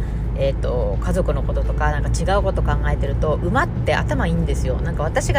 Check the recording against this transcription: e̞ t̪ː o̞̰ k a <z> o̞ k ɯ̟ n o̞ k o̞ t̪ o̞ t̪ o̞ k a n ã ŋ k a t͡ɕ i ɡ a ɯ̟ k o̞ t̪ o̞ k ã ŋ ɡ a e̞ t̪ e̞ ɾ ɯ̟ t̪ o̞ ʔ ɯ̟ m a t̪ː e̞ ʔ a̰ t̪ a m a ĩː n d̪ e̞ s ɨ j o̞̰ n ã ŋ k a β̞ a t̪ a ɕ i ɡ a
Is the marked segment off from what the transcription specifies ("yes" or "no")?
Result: no